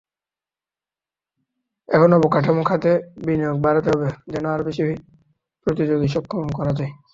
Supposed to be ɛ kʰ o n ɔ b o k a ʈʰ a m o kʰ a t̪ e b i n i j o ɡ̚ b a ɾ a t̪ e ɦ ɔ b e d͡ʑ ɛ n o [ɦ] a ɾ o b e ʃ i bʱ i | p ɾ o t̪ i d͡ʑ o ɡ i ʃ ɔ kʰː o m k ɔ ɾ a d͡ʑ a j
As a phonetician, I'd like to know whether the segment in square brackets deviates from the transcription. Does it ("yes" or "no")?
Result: yes